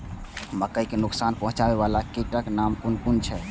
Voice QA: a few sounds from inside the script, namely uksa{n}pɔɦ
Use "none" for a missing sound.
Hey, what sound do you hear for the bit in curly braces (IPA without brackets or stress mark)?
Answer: n